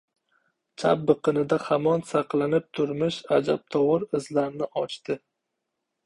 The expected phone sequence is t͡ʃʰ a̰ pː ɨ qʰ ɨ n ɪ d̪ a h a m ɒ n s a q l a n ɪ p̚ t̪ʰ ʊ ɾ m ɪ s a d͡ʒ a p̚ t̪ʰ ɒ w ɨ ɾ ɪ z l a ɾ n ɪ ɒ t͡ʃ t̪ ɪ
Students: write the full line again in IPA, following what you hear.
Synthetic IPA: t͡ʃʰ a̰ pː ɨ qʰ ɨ n ɪ d̪ a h a m ɒ n s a q l a n ɪ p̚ t̪ʰ ʊ ɾ m ɪ ʃ a d͡ʒ a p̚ t̪ʰ ɒ w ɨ ɾ ɪ z l a ɾ n ɪ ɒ t͡ʃ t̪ ɪ